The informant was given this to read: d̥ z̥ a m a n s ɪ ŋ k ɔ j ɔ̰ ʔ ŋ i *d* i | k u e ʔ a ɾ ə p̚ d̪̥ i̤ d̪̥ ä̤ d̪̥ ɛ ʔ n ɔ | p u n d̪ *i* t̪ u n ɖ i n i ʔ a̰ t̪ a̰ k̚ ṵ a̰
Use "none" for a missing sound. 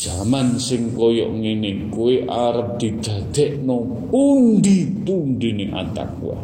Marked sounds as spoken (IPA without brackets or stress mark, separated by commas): n, i